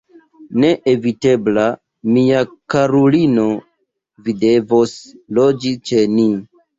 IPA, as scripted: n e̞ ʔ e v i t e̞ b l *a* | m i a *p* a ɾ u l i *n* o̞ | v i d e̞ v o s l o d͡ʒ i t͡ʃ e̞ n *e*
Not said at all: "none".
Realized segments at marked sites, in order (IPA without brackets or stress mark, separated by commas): a, k, n, i